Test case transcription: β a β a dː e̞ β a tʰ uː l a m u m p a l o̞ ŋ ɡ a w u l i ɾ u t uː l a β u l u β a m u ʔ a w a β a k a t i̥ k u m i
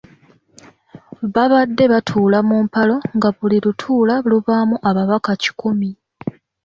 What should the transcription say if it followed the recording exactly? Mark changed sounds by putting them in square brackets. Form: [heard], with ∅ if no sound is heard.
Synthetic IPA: β a β a dː e̞ β a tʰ uː l a m u m p a l o̞ ŋ ɡ a [β] u l i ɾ u [tʰ] uː l a β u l u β a m u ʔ a [β] a β a k a [c] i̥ k u m i